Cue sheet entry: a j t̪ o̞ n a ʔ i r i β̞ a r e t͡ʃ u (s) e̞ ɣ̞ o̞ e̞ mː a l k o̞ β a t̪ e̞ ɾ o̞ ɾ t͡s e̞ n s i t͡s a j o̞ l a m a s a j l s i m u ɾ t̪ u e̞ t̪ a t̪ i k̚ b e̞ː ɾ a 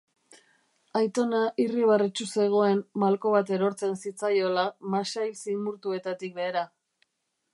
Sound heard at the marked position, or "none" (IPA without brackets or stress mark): s